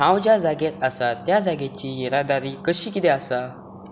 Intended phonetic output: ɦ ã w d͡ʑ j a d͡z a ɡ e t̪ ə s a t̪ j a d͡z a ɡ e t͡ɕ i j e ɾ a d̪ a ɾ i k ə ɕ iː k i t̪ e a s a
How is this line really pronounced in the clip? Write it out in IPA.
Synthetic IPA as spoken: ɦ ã w d͡ʑ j a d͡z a ɡ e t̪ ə s a t̪ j a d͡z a ɡ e t͡ɕ i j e ɾ a d̪ a ɾ i k ə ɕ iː k i t̪ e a s a